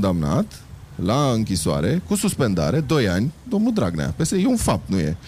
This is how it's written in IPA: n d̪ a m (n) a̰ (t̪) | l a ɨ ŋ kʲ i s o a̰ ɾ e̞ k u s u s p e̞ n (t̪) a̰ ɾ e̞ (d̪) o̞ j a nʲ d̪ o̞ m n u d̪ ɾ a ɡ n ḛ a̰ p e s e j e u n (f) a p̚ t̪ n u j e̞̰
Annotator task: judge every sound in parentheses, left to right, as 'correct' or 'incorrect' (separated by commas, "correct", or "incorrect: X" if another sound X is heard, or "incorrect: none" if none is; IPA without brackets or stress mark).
correct, correct, incorrect: d̪, correct, correct